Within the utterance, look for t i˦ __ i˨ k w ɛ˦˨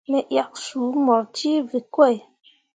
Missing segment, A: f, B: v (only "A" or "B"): B